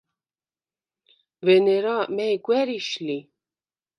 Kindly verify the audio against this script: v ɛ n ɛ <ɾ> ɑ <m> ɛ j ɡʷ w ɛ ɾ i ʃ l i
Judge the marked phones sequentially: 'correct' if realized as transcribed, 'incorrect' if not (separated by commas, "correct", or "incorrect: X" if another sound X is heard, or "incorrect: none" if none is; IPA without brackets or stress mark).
correct, correct